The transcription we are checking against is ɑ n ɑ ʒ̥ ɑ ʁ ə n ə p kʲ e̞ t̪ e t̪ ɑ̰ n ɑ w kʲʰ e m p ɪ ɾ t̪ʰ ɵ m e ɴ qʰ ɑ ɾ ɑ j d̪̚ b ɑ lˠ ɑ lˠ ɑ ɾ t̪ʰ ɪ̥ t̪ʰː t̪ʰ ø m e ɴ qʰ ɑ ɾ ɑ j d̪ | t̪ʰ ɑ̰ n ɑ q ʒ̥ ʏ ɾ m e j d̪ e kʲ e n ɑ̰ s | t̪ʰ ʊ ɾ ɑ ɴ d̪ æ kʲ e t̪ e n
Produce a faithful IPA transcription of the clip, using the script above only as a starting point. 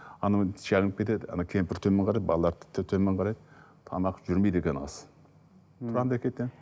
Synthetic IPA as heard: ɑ n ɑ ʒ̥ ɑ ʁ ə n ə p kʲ e̞ t̪ e d̪ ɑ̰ n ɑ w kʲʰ e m p ɪ ɾ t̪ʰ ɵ m e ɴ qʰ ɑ ɾ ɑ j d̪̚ b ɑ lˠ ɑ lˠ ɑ ɾ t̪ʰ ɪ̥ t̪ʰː t̪ʰ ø m e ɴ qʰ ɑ ɾ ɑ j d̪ | t̪ʰ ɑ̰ n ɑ q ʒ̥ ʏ ɾ m e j d̪ e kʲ e n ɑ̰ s | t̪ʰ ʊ ɾ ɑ n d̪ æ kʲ e t̪ e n